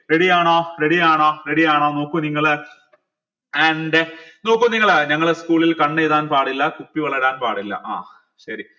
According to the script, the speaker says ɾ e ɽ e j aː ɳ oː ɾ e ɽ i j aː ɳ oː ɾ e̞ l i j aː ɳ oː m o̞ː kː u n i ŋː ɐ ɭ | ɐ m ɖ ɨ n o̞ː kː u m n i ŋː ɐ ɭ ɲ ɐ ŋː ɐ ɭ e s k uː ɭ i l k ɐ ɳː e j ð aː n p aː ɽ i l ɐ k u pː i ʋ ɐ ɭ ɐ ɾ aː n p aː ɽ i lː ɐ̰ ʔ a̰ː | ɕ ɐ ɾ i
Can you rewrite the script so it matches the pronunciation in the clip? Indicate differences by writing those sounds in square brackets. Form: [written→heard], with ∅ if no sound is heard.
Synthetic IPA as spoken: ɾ e ɽ [e→i] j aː ɳ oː ɾ e ɽ i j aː ɳ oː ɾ e̞ [l→ɽ] i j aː ɳ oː [m→n] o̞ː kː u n i ŋː ɐ ɭ | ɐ [m→ɳ] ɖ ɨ n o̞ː kː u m n i ŋː ɐ ɭ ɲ ɐ ŋː ɐ ɭ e s k uː ɭ i l k ɐ ɳː e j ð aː n p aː ɽ i [l→lː] ɐ k u pː i ʋ ɐ ɭ ɐ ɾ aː n p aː ɽ i lː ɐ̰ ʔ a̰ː | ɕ ɐ ɾ i